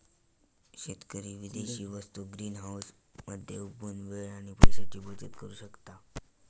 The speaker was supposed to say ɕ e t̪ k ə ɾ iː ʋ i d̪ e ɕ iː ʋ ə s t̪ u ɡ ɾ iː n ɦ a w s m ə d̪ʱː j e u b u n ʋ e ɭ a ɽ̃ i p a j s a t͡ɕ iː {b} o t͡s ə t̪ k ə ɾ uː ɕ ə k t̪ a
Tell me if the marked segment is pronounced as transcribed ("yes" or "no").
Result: yes